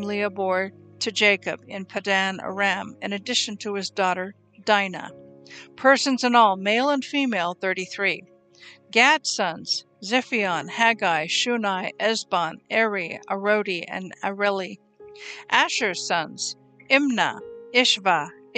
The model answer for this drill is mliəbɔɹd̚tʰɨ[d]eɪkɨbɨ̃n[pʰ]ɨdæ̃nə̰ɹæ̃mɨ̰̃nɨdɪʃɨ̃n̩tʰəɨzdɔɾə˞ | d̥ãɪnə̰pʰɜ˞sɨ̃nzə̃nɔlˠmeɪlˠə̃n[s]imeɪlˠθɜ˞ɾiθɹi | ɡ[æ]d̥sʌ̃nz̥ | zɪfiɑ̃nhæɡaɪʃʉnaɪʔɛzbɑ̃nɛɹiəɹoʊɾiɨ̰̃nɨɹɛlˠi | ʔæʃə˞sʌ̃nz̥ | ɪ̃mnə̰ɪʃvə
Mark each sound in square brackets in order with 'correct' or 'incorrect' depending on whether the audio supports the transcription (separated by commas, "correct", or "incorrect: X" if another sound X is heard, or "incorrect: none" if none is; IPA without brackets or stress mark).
incorrect: d͡ʒ, correct, incorrect: f, correct